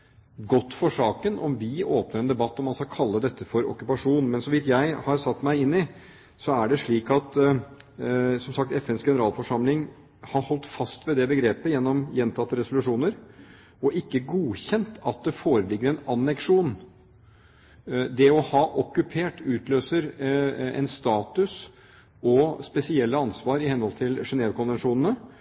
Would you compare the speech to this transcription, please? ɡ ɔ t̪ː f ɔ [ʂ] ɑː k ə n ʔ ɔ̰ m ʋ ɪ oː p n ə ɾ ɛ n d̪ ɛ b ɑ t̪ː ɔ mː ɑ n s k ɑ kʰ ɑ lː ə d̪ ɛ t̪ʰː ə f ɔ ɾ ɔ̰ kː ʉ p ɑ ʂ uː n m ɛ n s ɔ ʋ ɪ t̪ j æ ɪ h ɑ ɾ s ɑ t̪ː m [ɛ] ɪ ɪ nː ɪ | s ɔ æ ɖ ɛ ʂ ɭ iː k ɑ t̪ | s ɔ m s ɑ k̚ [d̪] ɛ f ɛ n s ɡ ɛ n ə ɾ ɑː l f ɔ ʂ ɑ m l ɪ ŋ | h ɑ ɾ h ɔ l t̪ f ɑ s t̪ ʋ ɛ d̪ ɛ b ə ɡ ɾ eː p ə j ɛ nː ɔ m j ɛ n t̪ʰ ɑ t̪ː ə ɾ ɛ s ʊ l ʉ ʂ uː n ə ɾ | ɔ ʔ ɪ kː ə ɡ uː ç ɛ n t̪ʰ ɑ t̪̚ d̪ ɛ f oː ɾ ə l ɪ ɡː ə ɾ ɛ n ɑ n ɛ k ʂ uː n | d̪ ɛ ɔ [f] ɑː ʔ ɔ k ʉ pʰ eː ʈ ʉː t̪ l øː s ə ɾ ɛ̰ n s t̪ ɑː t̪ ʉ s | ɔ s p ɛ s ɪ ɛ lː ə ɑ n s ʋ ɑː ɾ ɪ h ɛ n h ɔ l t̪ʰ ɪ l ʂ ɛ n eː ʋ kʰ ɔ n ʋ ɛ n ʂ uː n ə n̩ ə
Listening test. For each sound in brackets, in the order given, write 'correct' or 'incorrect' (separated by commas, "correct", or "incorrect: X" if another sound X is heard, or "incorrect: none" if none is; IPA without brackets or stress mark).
correct, incorrect: æ, incorrect: t̪, incorrect: h